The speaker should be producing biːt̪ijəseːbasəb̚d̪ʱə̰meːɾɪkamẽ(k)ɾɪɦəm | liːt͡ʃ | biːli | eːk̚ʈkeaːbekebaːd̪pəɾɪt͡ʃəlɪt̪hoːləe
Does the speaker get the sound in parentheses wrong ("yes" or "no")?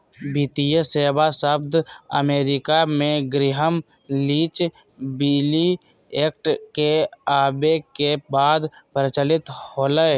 yes